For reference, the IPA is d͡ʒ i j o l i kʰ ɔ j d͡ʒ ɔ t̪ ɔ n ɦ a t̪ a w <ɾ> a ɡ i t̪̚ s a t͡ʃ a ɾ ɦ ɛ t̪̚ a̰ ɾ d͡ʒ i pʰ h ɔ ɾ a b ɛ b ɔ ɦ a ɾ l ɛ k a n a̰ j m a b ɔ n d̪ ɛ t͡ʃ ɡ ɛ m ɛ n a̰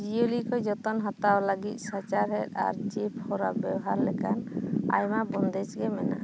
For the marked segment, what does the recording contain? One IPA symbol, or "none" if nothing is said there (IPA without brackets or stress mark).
l